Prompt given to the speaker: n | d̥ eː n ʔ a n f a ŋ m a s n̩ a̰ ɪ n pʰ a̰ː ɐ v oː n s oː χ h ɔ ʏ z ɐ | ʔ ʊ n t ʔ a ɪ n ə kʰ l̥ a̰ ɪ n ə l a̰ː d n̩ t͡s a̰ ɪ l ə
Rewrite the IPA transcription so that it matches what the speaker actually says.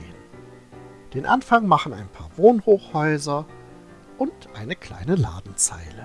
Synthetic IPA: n | d̥ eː n ʔ a n f a ŋ m a χ n̩ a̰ ɪ n pʰ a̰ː ɐ v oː n h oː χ h ɔ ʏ z ɐ | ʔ ʊ n t ʔ a ɪ n ə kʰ l̥ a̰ ɪ n ə l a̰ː d n̩ t͡s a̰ ɪ l ə